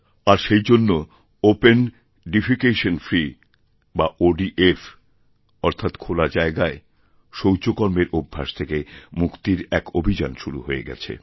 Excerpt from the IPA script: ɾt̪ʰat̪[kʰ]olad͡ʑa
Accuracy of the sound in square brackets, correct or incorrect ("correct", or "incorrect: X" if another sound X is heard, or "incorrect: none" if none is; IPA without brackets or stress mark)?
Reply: correct